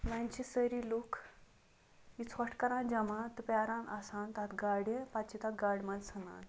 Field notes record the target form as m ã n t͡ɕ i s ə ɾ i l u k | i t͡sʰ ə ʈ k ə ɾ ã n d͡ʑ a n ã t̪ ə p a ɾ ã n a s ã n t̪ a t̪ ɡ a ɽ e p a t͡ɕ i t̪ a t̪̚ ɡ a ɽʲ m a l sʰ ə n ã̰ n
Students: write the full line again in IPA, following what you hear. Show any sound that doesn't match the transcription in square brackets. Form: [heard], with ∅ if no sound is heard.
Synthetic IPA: m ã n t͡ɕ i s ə ɾ i l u k | i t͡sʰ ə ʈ k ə ɾ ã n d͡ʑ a [m] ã t̪ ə p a ɾ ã n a s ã n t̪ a t̪ ɡ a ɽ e p a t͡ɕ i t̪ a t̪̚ ɡ a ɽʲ m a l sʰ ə n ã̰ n